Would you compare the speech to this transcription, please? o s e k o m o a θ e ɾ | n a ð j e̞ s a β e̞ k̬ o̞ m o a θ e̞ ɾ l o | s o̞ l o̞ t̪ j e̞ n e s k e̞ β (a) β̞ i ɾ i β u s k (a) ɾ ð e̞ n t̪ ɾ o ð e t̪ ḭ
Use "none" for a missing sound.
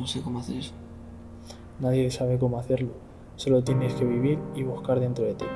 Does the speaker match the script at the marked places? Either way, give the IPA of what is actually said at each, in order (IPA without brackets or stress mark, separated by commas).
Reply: i, a